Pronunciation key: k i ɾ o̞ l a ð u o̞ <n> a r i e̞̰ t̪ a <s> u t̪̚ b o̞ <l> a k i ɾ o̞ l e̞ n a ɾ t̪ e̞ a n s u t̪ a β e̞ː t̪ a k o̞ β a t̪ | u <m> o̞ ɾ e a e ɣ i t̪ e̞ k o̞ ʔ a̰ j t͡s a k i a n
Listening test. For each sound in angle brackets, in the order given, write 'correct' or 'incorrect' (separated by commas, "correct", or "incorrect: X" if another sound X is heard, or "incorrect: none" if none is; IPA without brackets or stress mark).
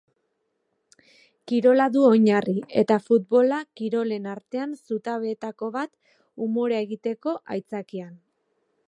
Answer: incorrect: ɲ, incorrect: f, correct, correct